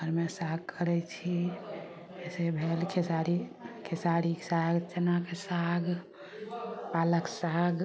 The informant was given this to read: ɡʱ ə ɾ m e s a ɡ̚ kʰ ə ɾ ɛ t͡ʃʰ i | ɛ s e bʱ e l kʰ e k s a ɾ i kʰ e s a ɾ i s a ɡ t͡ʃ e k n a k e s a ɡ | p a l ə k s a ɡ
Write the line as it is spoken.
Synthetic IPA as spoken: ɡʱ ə ɾ m e s a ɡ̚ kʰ ə ɾ ɛ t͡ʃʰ i | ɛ s e bʱ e l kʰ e s a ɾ i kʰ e s a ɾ i s a ɡ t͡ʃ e n a k e s a ɡ | p a l ə k s a ɡ